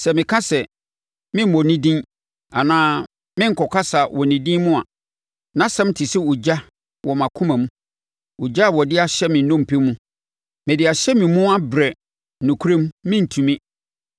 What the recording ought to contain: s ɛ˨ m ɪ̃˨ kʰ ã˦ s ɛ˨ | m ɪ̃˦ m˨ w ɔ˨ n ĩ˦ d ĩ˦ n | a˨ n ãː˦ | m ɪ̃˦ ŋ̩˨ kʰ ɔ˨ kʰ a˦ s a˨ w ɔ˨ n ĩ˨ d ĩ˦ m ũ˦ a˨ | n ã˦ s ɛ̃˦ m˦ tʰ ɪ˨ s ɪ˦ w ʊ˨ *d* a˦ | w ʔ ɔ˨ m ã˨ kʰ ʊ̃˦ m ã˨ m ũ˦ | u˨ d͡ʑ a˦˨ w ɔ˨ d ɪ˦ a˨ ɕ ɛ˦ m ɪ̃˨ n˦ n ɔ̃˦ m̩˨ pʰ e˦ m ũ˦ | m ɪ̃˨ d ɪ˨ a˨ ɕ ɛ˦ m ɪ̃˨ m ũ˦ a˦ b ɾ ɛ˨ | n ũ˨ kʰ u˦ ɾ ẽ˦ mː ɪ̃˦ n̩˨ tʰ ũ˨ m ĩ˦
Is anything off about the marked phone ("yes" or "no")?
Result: yes